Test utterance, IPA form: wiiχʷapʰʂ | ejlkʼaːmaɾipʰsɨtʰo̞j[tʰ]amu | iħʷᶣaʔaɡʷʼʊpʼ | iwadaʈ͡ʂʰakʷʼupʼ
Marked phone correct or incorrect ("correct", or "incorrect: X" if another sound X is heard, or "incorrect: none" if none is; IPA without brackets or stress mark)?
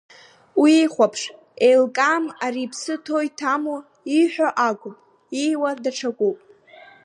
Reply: correct